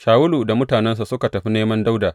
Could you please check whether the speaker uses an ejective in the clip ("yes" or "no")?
no